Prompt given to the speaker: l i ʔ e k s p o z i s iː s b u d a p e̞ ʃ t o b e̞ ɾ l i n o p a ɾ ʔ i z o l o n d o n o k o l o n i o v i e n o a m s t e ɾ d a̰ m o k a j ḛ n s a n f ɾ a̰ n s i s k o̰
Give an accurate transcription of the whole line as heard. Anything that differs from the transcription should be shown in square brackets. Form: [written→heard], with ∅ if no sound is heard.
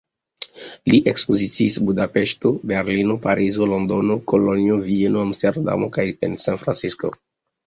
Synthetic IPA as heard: l i ʔ e k s p o z i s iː s b u d a p e̞ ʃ t o b e̞ ɾ l i n o p a ɾ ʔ i z o l o n d o n o k o l o n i o v i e n o a m s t e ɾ d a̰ m o k a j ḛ n s a n f ɾ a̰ n s i s k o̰